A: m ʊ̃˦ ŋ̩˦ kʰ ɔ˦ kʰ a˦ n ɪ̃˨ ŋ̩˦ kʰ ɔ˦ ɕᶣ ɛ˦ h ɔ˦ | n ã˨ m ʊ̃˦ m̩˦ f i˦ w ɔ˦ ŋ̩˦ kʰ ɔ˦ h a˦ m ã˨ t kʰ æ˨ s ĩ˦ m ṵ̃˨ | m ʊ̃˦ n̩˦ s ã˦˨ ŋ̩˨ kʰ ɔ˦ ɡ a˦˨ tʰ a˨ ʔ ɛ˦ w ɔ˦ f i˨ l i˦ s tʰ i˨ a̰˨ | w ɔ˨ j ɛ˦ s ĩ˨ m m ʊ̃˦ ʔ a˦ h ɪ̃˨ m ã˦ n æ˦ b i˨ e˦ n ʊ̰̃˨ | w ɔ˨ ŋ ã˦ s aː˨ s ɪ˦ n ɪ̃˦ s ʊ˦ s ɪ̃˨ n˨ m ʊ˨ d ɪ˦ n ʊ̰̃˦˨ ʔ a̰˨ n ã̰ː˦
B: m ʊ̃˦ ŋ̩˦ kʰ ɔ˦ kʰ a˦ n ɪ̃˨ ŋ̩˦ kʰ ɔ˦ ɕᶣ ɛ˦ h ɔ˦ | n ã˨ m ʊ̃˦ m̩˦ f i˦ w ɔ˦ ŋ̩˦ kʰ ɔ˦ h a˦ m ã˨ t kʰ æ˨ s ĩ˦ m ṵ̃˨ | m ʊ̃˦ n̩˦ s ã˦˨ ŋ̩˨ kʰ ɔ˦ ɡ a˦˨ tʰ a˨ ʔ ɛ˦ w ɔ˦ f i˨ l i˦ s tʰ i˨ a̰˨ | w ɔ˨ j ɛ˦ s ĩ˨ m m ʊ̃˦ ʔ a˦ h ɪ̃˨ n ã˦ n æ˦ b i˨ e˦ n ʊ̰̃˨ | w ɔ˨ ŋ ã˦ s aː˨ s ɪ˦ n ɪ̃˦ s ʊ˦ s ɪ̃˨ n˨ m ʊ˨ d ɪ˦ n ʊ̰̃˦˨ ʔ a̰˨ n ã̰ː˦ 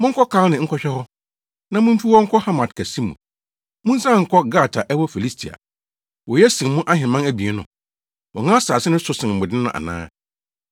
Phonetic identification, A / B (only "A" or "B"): A